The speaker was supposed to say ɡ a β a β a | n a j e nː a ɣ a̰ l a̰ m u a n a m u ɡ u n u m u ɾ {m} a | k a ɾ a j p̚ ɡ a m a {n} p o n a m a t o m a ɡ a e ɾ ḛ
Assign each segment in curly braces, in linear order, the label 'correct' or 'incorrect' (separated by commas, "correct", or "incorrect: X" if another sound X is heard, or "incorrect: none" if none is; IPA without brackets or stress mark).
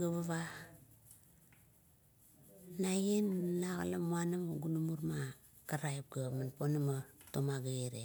correct, correct